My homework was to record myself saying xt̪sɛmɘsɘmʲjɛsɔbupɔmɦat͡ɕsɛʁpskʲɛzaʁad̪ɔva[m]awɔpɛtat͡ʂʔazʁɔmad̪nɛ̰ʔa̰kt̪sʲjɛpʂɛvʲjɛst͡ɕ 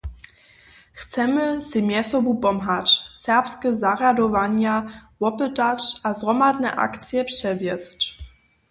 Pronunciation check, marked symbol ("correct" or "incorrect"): incorrect